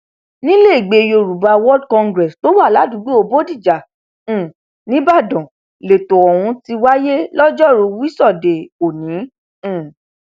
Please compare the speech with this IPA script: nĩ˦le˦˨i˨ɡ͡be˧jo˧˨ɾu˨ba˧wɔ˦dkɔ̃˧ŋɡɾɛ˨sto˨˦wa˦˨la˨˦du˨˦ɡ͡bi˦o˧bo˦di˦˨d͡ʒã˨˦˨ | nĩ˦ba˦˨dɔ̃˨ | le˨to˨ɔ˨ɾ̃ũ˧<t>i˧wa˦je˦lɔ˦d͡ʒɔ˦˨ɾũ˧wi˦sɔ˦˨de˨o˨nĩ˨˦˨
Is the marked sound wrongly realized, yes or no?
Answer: no